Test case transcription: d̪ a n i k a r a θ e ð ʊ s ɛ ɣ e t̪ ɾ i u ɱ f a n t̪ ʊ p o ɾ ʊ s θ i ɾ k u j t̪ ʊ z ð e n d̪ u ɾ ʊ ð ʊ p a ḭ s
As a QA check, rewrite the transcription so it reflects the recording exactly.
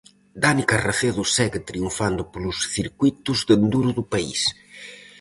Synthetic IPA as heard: d̪ a n i k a r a θ e ð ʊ s ɛ ɣ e t̪ ɾ i u ɱ f a n d̪ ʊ p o l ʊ s θ i ɾ k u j t̪ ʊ z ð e n d̪ u ɾ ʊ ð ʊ p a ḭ s